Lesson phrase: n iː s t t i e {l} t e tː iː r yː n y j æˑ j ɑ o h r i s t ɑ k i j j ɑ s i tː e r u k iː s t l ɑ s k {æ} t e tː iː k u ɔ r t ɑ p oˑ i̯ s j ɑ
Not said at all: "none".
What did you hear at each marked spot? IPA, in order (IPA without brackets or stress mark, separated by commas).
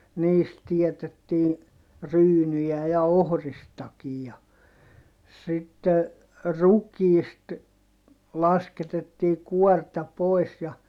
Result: none, e